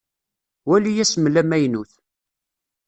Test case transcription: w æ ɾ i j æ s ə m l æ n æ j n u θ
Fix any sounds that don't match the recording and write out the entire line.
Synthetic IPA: w æ l i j æ s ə m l æ m æ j n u θ